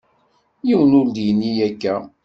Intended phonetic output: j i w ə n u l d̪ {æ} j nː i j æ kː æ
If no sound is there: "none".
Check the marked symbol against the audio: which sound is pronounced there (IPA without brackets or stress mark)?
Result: i